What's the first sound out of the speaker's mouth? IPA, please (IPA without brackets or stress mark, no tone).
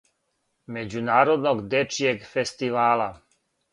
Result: m